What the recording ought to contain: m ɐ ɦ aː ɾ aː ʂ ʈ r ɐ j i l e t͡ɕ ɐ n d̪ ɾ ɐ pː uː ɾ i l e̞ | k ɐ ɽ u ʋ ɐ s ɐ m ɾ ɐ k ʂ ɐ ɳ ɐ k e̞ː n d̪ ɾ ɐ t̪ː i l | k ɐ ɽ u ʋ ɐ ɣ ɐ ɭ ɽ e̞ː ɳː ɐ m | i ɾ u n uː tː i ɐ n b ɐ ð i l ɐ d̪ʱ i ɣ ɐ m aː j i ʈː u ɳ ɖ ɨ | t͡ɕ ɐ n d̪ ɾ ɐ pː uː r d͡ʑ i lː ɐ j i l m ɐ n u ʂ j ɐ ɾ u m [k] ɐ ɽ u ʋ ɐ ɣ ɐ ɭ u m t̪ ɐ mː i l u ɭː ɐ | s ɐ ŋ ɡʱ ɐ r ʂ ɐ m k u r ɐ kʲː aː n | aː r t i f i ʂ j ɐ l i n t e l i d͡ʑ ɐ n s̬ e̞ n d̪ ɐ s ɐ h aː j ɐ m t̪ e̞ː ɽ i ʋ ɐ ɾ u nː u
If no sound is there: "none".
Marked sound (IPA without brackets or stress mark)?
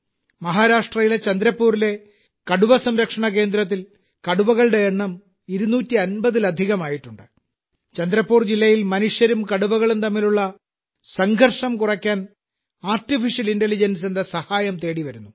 k